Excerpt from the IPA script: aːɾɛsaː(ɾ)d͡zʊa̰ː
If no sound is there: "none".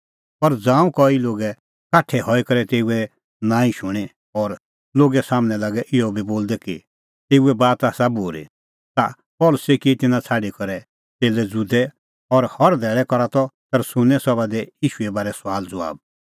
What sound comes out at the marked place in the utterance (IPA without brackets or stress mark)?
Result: l